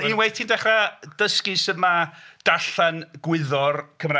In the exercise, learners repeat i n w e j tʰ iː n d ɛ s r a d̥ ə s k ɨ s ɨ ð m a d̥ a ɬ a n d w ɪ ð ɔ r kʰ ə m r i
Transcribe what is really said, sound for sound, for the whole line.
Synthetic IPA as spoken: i n w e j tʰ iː n d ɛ χ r a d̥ ə s k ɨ s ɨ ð m a d̥ a ɬ a n ɡ w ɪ ð ɔ r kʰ ə m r a

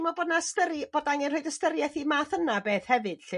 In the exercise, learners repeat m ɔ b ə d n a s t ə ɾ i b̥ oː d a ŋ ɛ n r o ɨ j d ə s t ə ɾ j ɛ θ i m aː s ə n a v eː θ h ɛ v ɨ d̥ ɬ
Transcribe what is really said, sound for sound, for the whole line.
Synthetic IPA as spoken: m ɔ b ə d n a s t ə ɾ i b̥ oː d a ŋ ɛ n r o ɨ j d ə s t ə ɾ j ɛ θ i m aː θ ə n a b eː θ h ɛ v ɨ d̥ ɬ

